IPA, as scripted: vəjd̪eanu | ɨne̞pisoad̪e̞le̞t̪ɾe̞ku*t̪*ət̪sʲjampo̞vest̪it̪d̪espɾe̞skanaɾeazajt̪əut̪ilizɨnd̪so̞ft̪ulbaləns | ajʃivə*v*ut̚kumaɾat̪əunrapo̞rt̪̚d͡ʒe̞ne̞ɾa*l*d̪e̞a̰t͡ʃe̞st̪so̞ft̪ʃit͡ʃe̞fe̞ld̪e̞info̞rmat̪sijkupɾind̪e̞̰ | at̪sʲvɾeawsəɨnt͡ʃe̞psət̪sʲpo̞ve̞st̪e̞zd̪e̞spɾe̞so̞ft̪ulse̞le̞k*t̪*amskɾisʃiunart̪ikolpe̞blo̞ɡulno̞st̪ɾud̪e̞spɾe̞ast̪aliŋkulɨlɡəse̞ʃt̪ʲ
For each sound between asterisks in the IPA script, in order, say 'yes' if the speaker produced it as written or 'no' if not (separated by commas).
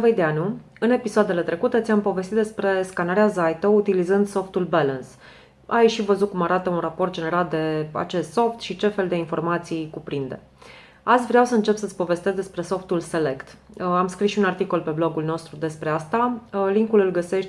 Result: yes, no, yes, yes